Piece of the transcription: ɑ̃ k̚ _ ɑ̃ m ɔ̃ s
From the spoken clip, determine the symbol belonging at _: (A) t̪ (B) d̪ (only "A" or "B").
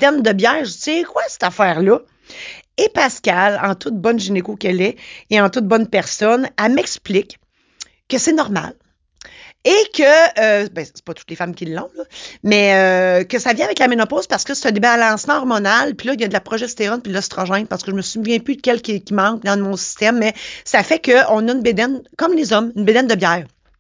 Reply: B